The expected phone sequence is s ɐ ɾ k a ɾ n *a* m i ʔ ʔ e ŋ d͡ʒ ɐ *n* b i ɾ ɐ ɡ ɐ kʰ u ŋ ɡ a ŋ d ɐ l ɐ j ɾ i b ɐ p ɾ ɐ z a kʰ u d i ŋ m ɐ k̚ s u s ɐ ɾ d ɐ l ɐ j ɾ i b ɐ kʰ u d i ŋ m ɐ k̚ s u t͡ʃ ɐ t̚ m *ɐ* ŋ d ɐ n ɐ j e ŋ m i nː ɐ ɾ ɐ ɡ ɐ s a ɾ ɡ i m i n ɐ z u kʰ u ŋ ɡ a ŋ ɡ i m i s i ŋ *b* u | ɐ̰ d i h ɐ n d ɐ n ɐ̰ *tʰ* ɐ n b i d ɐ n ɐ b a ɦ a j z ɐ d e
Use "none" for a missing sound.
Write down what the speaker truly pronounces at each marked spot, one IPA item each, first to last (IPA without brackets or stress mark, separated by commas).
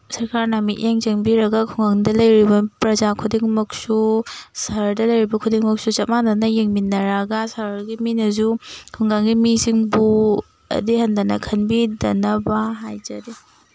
a, ŋ, a, b, kʰ